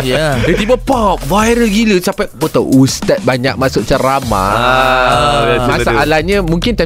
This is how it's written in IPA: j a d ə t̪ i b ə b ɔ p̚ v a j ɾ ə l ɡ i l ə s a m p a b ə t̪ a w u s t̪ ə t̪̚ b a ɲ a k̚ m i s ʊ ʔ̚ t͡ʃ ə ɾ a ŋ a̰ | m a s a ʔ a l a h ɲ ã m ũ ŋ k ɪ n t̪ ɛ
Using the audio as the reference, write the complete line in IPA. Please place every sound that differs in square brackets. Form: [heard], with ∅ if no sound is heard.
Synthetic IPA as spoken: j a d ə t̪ i b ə [p] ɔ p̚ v a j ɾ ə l ɡ i l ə s a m p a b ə t̪ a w u s t̪ [a] t̪̚ b a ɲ a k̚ m [a] s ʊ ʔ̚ t͡ʃ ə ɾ a [m] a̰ | m a s a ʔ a l a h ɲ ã m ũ ŋ k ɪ n t̪ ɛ